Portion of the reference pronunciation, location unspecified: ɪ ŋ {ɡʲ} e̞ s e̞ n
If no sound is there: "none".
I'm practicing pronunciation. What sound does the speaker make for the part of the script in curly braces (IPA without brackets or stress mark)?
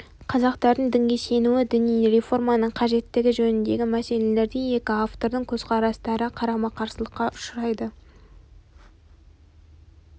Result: ɡʲ